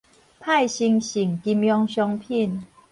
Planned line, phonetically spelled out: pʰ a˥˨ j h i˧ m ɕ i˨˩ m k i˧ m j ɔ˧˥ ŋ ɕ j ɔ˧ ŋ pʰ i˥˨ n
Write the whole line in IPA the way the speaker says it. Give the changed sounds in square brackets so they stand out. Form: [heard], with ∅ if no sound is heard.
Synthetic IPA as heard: pʰ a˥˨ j [ɕ] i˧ [ŋ] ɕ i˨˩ [ŋ] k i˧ m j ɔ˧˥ ŋ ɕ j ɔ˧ ŋ pʰ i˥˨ n